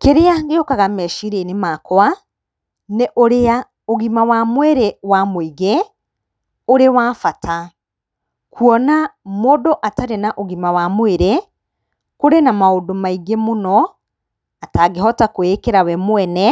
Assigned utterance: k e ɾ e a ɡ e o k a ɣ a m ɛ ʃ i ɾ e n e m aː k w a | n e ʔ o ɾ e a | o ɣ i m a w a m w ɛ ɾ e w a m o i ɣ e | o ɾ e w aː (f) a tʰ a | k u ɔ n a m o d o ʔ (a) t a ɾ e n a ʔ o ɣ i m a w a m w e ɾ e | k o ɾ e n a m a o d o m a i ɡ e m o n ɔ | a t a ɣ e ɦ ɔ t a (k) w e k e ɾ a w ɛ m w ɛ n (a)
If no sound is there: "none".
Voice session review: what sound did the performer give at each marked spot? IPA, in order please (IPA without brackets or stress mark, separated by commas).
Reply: f, a, k, ɛ